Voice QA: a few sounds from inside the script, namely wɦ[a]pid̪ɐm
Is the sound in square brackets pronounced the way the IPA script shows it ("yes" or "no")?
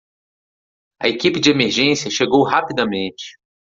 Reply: yes